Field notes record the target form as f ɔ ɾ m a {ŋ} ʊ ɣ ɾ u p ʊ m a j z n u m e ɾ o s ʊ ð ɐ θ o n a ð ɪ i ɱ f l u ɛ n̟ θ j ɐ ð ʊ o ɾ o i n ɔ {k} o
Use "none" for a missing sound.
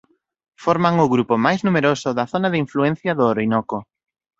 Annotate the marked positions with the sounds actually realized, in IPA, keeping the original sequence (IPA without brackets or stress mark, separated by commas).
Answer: ŋ, k